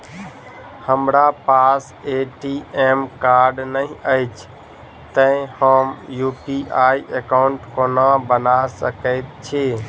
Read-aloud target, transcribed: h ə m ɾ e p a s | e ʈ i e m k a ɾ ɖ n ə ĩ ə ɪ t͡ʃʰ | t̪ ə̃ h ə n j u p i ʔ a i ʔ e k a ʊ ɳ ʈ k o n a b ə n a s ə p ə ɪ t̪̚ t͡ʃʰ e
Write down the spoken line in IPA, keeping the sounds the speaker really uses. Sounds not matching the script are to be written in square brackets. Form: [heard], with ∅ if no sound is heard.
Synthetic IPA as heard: h ə m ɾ [a] p a s | e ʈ i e m k a ɾ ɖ n ə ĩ ə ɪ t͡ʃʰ | t̪ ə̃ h ə [m] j u p i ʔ a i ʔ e k a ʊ ɳ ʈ k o n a b ə n a s ə [k] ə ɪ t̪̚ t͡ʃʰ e